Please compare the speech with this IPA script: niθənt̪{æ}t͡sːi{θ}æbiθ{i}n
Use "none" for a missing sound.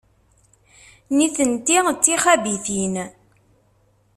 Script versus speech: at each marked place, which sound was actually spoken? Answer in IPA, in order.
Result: i, χ, i

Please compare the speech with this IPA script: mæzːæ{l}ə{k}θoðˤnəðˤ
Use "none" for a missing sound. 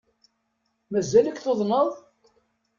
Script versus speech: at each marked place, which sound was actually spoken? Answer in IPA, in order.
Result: l, k

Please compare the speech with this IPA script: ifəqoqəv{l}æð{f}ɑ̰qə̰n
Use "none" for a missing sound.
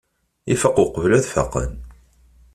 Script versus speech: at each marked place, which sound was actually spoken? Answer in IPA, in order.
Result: l, f

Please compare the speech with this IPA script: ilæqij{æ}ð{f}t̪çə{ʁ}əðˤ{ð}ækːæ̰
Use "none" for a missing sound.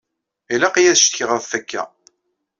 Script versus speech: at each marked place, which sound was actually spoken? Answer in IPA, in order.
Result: æ, ʃ, ʁ, θ

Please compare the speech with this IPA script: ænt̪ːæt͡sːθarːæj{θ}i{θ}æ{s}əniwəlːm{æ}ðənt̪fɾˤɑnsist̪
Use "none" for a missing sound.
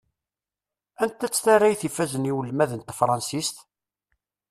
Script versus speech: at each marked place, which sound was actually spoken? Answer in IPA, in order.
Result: θ, f, z, æ

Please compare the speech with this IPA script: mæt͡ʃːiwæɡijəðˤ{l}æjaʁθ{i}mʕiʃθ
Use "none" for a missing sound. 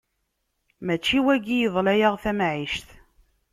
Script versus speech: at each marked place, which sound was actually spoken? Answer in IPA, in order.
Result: l, æ

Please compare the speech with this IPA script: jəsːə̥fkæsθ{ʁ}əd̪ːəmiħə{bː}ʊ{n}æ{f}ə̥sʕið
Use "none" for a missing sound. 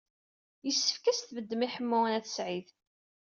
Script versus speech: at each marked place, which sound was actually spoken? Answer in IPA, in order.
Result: v, mː, n, θ

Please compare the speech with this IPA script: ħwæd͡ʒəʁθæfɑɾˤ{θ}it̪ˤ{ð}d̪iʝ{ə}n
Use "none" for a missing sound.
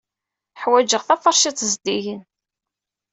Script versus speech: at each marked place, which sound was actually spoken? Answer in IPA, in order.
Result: ʃ, z, ə

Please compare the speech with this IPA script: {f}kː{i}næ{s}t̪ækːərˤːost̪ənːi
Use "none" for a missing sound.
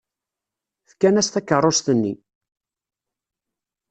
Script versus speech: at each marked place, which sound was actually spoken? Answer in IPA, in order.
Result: θ, æ, s

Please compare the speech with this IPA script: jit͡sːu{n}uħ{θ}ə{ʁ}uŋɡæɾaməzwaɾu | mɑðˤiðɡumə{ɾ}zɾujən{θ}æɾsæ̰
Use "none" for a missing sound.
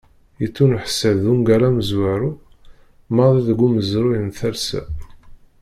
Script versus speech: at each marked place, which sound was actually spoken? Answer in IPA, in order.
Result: n, s, ð, none, θ

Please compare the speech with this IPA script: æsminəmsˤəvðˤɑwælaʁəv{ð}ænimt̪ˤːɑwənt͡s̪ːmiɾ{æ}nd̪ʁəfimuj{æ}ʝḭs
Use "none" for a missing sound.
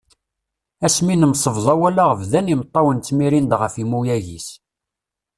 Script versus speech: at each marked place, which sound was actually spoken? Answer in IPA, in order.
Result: ð, i, æ

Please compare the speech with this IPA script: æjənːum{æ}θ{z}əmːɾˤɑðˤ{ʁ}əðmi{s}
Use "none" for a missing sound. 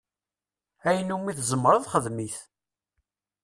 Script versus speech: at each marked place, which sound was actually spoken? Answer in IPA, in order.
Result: i, z, χ, θ

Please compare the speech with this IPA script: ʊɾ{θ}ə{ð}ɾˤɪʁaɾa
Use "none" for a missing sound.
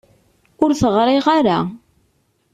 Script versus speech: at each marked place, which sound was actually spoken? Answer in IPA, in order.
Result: θ, ʁ

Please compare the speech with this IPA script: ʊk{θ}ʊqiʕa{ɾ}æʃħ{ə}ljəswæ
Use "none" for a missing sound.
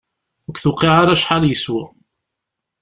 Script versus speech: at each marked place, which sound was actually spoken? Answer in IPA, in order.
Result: θ, ɾ, a

